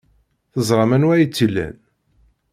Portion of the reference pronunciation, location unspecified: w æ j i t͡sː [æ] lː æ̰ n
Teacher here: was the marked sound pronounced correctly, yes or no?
no